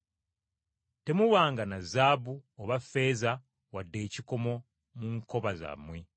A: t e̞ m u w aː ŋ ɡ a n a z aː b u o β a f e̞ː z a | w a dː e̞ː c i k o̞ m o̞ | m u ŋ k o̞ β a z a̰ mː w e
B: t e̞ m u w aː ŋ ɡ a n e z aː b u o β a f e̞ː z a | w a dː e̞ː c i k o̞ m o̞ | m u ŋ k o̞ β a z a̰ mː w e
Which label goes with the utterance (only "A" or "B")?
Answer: A